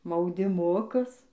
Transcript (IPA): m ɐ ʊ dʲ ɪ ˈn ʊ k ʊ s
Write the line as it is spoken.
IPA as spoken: m ɐ ʊ dʲ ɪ ˈm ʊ k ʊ s